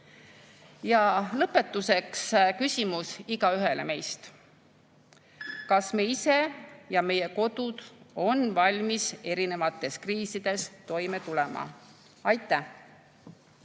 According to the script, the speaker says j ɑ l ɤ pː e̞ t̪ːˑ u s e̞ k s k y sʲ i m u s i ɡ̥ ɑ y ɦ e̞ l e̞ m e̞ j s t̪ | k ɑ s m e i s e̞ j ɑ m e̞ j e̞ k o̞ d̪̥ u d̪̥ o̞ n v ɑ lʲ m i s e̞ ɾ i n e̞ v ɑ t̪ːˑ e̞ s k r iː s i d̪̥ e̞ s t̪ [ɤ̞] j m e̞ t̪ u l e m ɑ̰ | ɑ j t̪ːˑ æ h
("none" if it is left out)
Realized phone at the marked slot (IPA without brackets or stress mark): o̞